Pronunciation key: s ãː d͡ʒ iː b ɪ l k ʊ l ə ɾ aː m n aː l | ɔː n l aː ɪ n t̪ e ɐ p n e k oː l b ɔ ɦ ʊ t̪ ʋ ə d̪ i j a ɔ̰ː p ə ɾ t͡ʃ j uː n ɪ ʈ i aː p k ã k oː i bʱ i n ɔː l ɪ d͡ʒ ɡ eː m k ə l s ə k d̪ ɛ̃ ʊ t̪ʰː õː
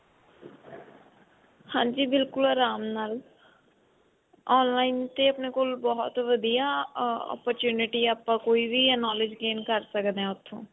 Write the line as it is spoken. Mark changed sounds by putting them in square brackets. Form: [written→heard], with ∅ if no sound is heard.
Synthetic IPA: [s→h] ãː d͡ʒ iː b ɪ l k ʊ l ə ɾ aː m n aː l | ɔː n l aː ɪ n t̪ e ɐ p n e k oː l b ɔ ɦ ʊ t̪ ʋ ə d̪ i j a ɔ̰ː p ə ɾ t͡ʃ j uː n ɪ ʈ i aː p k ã k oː i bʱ i n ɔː l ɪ d͡ʒ ɡ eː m k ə [l→ɾ] s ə k d̪ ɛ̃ ʊ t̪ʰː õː